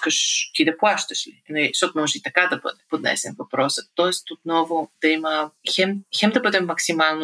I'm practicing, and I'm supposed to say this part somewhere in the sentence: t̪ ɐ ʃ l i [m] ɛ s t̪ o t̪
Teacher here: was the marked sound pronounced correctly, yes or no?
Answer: no